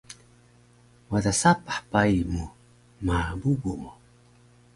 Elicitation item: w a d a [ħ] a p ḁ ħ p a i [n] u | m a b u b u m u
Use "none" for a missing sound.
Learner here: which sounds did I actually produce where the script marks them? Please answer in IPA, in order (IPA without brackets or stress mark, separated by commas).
s, m